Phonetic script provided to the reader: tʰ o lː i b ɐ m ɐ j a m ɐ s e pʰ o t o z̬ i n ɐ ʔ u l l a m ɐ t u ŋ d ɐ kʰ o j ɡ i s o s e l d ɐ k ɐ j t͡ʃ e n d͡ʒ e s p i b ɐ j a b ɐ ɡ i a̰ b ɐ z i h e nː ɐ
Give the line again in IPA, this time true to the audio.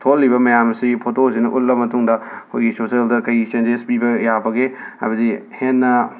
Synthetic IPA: tʰ o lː i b ɐ m ɐ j a m ɐ s i pʰ o t o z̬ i n ɐ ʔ u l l ɐ m ɐ t u ŋ d ɐ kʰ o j ɡ i s o s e l d ɐ k ɐ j t͡ʃ e n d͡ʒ e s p i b ɐ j a b ɐ ɡ e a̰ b ɐ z i h e nː ɐ